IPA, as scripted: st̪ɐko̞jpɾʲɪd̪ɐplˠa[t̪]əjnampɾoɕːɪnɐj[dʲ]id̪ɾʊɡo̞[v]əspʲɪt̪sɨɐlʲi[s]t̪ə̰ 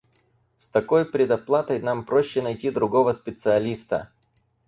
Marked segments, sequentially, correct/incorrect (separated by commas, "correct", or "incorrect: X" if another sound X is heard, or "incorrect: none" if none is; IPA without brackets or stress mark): correct, incorrect: tʲ, correct, correct